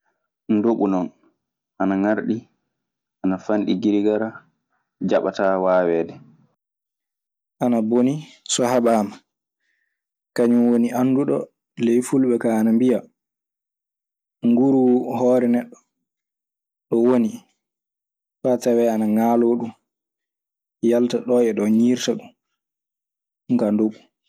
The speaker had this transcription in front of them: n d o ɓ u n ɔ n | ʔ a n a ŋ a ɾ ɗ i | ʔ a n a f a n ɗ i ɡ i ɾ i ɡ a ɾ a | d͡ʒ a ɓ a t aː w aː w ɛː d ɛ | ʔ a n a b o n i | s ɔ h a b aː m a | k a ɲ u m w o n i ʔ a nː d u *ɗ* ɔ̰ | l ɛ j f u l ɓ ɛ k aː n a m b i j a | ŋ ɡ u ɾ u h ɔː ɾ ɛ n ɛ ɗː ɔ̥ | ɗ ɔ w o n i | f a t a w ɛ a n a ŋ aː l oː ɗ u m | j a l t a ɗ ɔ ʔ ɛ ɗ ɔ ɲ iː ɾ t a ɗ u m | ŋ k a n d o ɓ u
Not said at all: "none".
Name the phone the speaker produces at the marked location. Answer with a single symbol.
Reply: ɗ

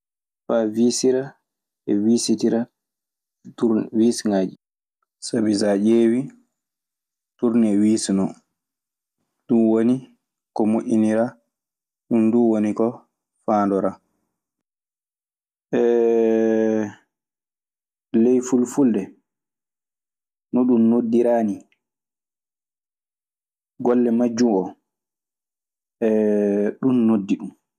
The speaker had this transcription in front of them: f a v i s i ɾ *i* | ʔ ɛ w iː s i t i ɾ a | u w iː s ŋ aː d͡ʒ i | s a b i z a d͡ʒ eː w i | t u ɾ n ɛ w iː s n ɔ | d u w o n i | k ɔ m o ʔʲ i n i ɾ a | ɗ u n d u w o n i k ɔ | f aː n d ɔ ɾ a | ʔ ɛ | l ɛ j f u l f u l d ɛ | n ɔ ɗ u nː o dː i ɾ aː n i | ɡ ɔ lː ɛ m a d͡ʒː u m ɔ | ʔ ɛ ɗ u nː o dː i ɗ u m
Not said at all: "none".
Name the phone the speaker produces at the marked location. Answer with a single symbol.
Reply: a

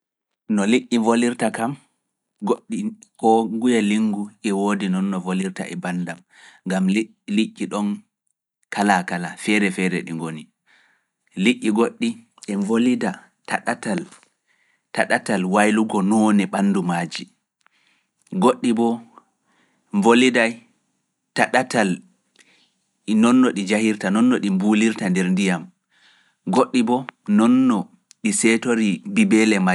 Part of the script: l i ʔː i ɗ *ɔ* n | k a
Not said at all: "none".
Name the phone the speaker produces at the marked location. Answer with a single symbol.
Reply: ɔ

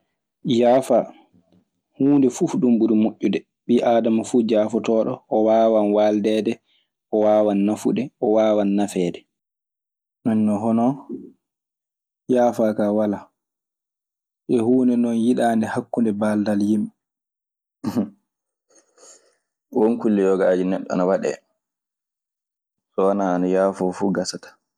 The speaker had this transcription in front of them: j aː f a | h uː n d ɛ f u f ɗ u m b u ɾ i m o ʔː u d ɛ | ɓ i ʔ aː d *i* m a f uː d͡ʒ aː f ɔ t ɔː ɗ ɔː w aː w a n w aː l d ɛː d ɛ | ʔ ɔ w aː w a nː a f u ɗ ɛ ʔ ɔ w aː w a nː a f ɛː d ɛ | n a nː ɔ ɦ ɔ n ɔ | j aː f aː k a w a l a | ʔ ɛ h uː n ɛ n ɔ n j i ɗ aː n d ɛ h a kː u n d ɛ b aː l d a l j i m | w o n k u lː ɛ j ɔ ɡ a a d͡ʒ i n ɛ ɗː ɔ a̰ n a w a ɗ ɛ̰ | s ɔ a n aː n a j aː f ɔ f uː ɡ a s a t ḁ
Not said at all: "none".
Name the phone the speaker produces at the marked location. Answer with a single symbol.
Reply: a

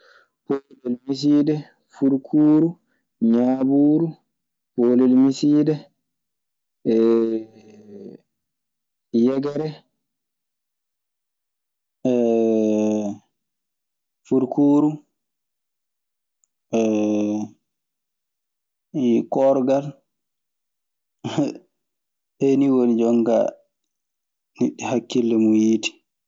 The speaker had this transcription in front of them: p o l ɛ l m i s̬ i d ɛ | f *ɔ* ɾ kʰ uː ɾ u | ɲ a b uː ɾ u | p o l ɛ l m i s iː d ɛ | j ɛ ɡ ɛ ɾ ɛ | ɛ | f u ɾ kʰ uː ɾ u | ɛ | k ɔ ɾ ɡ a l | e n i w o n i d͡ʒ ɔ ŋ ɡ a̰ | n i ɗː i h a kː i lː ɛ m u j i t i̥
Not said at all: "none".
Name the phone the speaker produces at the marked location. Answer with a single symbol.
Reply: u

